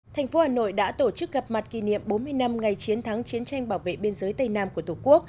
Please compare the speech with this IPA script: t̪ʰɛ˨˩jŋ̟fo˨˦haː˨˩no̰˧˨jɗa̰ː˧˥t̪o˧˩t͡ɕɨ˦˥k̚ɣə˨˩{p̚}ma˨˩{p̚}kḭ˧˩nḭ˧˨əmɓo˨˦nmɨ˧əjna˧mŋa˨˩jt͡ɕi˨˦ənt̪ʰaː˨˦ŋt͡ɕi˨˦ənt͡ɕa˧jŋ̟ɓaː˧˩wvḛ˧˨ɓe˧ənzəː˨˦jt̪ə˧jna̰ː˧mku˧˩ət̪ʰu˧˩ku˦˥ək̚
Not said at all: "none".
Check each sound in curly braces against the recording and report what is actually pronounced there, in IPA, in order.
p̚, t̚

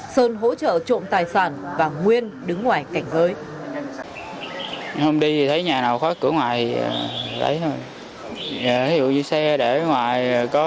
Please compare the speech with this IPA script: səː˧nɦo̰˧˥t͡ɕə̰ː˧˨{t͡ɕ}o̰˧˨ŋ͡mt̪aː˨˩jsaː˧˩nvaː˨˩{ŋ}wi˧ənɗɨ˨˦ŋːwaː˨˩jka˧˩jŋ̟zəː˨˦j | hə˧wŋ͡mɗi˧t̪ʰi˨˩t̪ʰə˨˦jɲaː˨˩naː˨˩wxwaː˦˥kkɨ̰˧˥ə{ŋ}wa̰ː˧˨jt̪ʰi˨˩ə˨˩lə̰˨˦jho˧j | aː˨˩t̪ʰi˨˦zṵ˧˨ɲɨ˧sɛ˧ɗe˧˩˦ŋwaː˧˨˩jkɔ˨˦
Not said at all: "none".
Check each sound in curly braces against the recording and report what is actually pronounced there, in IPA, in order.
t͡ɕ, ŋ, ŋ

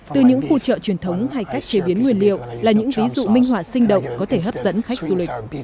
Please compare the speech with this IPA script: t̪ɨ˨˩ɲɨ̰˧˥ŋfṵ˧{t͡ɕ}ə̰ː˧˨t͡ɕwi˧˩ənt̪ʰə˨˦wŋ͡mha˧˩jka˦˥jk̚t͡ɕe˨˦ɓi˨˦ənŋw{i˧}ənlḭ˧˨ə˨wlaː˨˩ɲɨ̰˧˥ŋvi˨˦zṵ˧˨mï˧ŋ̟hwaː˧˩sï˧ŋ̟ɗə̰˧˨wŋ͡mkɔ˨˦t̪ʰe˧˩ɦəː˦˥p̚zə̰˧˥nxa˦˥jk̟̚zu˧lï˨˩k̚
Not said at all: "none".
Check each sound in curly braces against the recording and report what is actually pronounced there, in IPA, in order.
t͡ɕ, i˨˩

